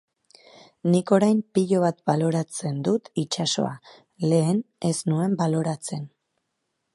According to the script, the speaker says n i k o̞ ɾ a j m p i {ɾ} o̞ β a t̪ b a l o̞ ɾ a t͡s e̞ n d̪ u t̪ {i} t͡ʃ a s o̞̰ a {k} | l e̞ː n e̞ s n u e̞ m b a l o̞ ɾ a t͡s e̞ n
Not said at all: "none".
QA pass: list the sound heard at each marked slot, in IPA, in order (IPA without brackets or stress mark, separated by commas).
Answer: ʎ, i, none